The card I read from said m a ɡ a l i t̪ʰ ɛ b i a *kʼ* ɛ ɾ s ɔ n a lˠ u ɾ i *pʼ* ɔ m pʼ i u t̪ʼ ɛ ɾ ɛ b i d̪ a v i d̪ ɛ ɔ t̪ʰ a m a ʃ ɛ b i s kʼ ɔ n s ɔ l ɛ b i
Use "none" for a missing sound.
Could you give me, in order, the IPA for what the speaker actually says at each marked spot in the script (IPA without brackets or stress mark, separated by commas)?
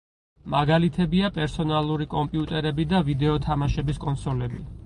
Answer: pʼ, kʼ